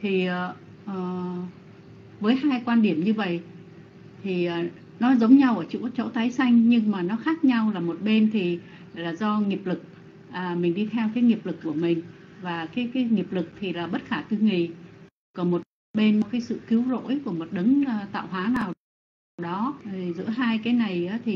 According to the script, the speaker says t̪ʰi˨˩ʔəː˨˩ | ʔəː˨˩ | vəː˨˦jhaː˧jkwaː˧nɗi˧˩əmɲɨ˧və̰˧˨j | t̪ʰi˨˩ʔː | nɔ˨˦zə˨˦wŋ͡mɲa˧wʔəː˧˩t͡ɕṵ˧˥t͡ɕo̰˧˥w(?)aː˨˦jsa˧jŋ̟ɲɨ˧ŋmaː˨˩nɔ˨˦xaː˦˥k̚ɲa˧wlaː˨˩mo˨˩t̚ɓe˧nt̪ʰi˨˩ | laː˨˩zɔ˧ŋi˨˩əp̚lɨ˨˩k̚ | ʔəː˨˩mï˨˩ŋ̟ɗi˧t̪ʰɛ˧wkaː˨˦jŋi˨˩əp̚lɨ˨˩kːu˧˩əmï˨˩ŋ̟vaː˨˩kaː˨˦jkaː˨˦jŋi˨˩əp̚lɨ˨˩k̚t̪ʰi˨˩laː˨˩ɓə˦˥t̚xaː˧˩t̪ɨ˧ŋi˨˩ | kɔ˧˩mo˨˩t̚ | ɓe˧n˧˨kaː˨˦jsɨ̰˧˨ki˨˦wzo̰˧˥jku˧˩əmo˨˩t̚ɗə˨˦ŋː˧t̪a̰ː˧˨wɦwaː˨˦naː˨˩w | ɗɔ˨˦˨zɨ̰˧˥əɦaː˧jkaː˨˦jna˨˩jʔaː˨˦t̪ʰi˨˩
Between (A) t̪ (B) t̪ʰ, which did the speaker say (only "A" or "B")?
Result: A